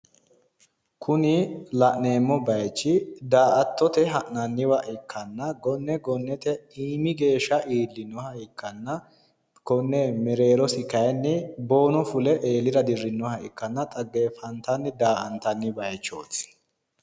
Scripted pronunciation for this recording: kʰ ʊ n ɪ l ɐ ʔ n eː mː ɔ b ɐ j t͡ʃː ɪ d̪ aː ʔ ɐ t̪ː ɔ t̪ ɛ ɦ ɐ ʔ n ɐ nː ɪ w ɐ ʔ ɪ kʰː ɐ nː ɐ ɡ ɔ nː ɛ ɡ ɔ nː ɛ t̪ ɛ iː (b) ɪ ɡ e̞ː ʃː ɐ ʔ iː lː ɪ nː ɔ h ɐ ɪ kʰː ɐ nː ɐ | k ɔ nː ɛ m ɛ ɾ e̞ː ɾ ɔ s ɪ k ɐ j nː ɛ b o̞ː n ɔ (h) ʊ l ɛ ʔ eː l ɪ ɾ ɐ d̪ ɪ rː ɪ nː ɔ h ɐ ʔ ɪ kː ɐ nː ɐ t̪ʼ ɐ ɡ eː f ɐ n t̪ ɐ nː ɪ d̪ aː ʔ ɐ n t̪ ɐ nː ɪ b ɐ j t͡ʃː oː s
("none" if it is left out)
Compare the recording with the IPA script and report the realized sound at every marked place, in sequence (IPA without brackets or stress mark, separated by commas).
m, f